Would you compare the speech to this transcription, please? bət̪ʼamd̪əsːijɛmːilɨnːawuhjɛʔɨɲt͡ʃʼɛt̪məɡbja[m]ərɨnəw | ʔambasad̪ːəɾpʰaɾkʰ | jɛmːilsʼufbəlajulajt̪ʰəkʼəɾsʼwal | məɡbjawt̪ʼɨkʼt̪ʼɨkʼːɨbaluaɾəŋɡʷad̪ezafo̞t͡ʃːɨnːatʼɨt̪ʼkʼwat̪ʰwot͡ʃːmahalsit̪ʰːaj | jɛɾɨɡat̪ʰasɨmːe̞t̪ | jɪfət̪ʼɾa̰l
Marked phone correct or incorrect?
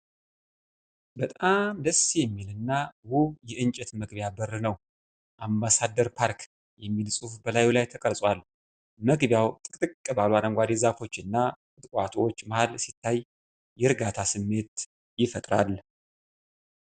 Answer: incorrect